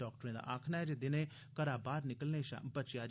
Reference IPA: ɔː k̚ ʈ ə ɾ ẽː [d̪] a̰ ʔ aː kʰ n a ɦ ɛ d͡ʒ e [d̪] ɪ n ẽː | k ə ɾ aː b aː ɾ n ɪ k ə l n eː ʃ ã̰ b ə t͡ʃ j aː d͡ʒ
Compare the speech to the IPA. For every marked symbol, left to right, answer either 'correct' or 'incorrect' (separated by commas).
correct, correct